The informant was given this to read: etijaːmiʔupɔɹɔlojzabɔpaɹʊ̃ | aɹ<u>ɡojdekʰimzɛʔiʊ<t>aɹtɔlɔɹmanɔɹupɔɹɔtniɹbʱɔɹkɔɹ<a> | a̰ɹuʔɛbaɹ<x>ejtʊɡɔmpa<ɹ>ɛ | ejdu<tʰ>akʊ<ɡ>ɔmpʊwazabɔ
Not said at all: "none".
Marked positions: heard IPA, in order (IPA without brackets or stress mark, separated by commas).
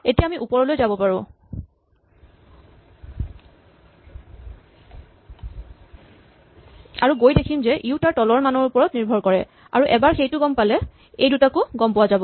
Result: u, t, ɛ, x, l, t, ɡ